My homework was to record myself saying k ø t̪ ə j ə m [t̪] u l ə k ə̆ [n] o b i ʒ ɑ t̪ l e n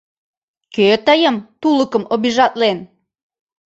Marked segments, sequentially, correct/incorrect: correct, incorrect

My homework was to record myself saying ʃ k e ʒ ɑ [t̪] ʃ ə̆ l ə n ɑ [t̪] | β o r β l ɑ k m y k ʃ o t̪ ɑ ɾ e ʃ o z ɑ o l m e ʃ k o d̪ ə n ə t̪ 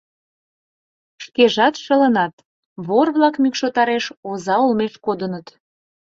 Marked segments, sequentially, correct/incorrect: correct, correct

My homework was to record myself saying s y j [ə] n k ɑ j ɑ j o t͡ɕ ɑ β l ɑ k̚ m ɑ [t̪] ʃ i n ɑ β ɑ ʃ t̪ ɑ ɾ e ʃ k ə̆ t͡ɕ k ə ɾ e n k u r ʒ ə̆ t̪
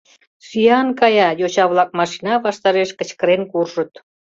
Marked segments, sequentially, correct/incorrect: incorrect, incorrect

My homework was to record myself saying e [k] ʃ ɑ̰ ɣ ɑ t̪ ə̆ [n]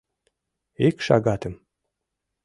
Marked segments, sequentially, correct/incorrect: correct, incorrect

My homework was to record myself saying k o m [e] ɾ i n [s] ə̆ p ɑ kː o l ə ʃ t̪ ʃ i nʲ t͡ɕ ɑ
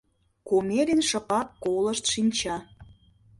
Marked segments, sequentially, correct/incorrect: correct, incorrect

